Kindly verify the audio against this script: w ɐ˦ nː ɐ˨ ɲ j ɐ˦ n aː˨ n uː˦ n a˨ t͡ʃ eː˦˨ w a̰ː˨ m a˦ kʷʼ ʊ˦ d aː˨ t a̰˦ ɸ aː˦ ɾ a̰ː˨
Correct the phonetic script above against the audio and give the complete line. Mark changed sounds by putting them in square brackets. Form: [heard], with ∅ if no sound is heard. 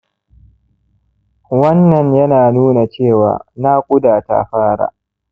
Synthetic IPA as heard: w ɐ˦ nː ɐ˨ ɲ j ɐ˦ n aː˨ n uː˦ n a˨ t͡ʃ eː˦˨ w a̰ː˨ [n] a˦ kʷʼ ʊ˦ d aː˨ t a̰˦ ɸ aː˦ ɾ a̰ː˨